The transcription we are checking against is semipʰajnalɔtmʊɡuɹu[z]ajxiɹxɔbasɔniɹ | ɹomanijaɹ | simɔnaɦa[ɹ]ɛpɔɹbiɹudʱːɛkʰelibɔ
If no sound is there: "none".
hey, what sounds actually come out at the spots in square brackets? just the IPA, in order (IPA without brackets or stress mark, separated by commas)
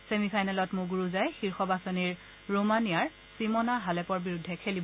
z, l